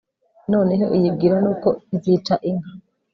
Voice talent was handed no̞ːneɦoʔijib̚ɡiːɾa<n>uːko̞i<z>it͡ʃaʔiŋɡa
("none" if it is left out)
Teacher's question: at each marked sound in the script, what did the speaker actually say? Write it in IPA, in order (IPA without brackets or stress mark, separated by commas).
n, z